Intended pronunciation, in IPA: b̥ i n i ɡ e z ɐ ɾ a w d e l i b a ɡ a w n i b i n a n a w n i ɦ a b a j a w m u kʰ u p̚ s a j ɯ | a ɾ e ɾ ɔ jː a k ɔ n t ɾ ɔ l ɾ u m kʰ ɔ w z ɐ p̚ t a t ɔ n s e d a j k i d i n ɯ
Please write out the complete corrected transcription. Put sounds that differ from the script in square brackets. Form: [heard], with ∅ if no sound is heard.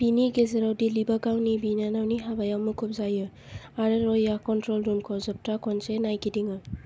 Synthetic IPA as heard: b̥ i n i ɡ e z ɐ ɾ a w d [i] l i b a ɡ a w n i b i n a n a w n i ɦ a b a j a w m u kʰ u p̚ [z] a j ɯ | a ɾ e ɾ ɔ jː a k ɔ n t ɾ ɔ l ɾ u m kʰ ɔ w z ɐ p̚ t a [k] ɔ n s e [n] a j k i d i [ŋ] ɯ